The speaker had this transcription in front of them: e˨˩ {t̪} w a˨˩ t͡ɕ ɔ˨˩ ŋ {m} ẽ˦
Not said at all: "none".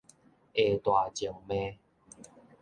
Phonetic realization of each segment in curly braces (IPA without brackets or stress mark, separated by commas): t̪, m